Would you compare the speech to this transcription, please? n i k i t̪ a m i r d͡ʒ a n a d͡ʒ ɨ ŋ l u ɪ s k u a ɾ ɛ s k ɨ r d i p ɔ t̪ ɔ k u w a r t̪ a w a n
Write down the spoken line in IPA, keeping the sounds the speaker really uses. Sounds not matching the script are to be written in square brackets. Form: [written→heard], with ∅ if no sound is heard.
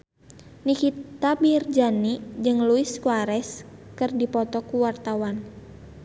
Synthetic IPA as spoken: n i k i t̪ a [m→b] i r d͡ʒ a n [a→i] d͡ʒ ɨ ŋ l u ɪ s k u a ɾ ɛ s k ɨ r d i p ɔ t̪ ɔ k u w a r t̪ a w a n